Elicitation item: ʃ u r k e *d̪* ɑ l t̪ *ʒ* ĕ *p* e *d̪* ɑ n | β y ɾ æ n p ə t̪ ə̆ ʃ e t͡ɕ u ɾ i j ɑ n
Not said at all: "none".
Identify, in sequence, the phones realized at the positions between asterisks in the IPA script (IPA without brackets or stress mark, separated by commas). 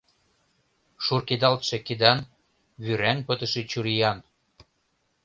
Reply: d̪, ʃ, k, d̪